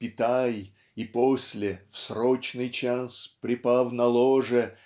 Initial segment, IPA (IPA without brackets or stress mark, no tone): pʲ